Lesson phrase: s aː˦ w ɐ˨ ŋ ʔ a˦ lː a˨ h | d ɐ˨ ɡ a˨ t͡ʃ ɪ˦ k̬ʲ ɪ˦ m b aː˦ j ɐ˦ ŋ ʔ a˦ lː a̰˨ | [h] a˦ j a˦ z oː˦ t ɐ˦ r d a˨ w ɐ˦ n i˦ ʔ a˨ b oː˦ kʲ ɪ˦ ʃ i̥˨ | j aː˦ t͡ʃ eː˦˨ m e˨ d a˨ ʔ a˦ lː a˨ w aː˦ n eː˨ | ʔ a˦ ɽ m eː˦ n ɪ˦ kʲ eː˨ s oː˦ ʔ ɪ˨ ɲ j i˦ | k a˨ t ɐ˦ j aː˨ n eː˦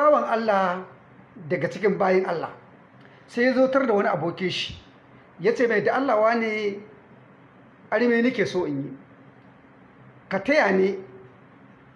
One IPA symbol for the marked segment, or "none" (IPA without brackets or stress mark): s